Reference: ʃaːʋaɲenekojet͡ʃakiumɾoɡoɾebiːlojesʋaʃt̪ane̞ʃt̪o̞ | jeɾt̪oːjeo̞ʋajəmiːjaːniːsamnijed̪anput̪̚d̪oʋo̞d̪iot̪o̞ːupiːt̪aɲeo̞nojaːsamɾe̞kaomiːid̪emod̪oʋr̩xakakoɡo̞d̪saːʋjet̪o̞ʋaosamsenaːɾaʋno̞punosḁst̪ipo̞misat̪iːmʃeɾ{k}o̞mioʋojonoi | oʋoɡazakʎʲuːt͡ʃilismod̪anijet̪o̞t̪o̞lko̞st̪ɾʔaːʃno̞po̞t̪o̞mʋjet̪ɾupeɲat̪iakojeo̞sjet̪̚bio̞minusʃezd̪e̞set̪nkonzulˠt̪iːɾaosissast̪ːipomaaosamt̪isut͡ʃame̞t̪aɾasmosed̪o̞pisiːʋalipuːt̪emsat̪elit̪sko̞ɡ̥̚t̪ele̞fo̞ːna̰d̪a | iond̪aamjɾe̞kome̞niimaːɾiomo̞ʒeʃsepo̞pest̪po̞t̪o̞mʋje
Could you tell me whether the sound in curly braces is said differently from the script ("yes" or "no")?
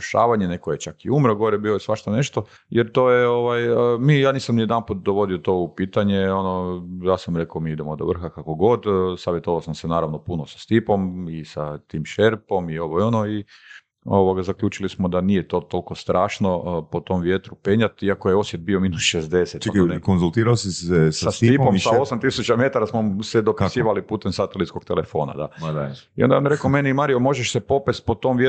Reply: yes